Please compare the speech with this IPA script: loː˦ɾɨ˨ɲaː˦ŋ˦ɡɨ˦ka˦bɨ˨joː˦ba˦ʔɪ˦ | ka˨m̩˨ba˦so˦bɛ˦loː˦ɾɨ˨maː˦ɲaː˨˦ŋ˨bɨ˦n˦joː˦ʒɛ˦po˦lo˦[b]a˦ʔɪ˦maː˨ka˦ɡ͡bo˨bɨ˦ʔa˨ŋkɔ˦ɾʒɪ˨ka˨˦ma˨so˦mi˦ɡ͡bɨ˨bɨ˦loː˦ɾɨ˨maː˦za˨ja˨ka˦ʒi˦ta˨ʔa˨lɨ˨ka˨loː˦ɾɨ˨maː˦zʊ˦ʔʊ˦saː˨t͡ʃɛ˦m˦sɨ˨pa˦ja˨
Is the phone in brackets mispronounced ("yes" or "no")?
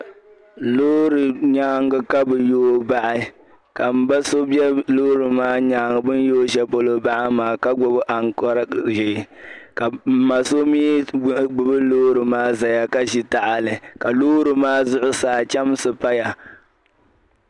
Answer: no